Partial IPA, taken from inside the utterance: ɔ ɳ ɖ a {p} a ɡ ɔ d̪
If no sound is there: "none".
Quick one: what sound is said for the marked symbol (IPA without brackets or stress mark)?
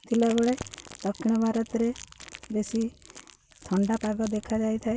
p